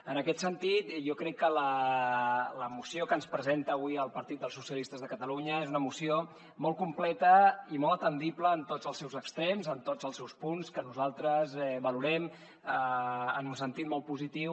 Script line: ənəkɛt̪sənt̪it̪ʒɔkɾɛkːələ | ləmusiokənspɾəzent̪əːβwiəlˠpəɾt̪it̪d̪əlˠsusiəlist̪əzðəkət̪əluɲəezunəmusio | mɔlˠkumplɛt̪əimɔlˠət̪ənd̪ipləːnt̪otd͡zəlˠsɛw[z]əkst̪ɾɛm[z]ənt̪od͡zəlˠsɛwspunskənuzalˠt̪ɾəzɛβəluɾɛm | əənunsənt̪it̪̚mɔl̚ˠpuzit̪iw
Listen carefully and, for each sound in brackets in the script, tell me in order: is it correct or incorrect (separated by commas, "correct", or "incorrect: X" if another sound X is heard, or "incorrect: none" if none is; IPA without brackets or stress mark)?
correct, correct